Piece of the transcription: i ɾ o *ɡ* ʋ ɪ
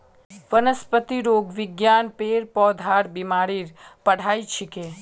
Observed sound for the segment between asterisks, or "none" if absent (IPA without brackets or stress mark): ɡ